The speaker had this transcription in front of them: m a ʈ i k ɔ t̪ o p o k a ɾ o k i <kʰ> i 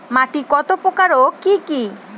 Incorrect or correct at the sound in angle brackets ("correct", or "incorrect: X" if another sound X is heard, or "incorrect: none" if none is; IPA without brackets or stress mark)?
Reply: incorrect: k